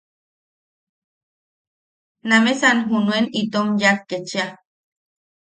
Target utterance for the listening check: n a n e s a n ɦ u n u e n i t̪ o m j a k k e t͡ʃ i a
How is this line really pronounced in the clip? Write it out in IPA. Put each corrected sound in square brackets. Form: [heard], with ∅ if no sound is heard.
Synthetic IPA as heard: n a [m] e s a n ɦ u n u e n i t̪ o m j a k k e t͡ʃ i a